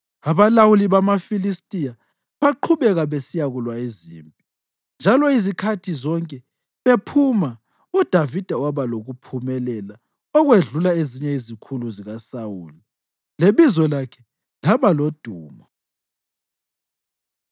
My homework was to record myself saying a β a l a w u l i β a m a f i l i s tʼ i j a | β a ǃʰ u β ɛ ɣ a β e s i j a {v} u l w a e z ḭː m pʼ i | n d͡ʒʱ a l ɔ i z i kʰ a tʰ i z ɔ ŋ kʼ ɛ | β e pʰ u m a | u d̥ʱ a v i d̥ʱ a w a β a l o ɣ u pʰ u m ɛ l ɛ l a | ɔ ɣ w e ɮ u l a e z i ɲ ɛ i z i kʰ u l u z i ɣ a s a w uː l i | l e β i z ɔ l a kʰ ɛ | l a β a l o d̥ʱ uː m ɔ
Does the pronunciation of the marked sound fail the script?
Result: yes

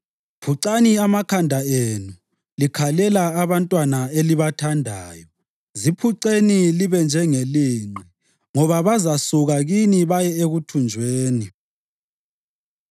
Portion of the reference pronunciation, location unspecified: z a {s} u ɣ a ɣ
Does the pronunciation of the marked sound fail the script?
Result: no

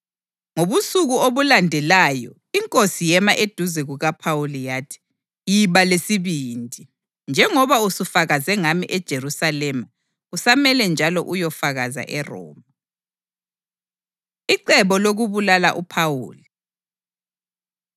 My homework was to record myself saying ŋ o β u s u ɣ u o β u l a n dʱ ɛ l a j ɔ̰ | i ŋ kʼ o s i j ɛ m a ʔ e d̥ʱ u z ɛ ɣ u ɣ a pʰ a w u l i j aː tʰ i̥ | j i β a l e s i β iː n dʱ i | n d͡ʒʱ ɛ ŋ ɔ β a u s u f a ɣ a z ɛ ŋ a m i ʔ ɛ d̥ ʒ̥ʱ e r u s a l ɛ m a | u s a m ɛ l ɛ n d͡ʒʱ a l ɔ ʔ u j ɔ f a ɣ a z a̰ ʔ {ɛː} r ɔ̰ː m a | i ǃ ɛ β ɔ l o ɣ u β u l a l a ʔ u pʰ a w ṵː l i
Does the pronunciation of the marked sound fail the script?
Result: yes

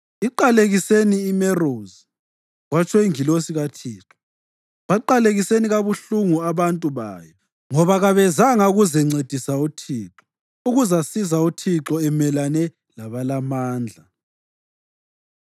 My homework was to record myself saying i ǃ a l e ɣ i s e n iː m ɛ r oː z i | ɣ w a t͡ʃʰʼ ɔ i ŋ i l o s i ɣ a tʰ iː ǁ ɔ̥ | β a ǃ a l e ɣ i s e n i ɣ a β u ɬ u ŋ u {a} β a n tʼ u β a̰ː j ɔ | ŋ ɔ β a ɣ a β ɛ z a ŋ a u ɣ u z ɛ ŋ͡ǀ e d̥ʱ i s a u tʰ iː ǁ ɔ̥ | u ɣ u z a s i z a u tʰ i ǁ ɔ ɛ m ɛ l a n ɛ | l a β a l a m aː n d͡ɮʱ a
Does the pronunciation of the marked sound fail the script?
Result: no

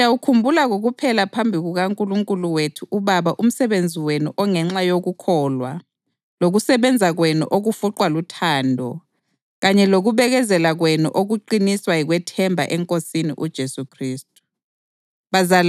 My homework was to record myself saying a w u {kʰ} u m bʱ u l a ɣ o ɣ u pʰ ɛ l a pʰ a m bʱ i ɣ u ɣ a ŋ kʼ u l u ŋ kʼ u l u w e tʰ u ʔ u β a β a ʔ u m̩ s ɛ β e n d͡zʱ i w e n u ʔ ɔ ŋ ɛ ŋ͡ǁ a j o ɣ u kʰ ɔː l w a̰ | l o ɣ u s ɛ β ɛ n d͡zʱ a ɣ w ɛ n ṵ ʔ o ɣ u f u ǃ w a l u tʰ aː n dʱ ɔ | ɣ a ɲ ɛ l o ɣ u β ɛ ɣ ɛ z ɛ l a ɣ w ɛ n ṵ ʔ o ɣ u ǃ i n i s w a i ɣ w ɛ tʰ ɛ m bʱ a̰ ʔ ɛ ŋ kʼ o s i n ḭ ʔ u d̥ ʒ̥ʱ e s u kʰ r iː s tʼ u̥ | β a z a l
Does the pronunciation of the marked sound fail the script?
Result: no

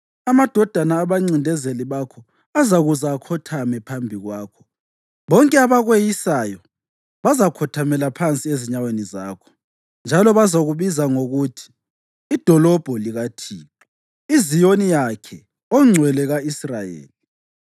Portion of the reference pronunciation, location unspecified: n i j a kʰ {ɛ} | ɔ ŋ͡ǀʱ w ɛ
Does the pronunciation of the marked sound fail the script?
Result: no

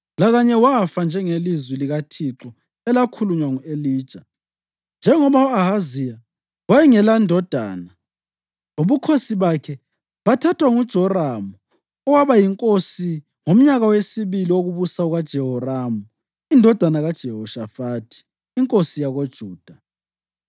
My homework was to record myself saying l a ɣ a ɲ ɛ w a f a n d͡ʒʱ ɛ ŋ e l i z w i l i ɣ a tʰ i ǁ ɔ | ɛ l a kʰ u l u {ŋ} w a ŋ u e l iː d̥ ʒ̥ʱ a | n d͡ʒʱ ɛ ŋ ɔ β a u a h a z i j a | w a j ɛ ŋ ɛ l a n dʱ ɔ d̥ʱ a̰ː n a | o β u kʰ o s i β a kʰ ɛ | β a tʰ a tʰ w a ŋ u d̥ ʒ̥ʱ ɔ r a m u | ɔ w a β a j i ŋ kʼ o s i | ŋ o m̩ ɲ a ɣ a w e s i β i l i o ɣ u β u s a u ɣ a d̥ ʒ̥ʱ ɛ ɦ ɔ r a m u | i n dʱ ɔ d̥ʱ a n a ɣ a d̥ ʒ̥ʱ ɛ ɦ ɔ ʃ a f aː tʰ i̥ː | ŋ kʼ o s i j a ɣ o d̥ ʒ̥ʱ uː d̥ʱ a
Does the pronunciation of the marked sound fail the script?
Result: yes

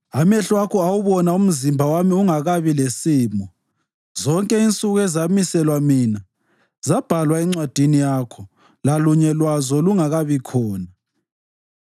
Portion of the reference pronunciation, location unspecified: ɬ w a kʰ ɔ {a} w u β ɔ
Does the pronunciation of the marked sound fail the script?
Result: no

